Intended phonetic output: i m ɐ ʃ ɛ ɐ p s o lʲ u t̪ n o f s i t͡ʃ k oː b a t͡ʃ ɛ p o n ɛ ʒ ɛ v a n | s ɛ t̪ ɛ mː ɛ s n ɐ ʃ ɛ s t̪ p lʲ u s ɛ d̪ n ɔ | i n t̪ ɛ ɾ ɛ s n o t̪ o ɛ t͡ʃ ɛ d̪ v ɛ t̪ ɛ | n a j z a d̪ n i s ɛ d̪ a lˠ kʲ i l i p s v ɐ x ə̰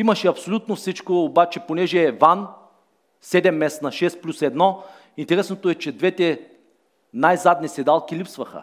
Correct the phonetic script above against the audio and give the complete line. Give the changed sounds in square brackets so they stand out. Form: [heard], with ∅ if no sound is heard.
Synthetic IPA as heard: i m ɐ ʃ ɛ ɐ p s o lʲ u t̪ n o f s i t͡ʃ k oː b a t͡ʃ ɛ p o n ɛ ʒ ɛ v a n | s ɛ [d̪] ɛ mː ɛ s n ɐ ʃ ɛ s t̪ p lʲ u s ɛ d̪ n ɔ | i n t̪ ɛ ɾ ɛ s n o t̪ o ɛ t͡ʃ ɛ d̪ v ɛ t̪ ɛ | n a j z a d̪ n i s ɛ d̪ a lˠ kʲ i l i p s v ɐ x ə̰